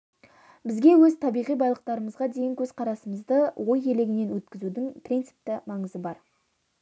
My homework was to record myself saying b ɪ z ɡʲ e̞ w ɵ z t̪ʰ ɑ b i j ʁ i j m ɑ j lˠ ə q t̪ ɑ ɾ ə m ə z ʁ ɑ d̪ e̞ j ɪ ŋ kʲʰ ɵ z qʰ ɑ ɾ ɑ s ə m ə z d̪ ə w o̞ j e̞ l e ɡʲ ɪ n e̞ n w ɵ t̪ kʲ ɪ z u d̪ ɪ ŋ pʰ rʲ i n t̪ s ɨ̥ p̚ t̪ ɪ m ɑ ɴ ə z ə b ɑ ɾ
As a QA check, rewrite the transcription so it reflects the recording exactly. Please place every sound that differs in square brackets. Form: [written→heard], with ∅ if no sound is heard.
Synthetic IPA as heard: b ɪ z ɡʲ e̞ w ɵ z t̪ʰ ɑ b i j ʁ i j [m→b] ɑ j lˠ ə q t̪ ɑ ɾ ə m ə z ʁ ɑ d̪ e̞ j ɪ ŋ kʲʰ ɵ z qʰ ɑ ɾ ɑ s ə m ə z d̪ ə w o̞ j e̞ l e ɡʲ ɪ n e̞ n w ɵ t̪ kʲ ɪ z u d̪ ɪ ŋ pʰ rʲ i n t̪ s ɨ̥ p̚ t̪ ɪ m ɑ ɴ ə z ə b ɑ ɾ